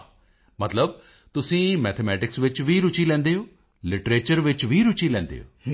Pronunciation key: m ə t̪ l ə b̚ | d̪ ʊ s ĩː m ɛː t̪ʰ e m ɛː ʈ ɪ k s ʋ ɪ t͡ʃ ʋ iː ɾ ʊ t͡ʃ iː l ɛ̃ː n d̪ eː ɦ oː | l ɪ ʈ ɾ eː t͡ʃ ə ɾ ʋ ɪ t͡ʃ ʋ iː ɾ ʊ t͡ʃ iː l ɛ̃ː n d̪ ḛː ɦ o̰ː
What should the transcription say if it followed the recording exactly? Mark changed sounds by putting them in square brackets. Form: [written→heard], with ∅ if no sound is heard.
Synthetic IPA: m ə t̪ l ə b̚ | [d̪→t̪] ʊ s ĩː m ɛː t̪ʰ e m ɛː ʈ ɪ k s ʋ ɪ t͡ʃ ʋ iː ɾ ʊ t͡ʃ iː l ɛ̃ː n d̪ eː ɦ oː | l ɪ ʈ ɾ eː t͡ʃ ə ɾ ʋ ɪ t͡ʃ ʋ iː ɾ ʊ t͡ʃ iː l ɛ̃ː n d̪ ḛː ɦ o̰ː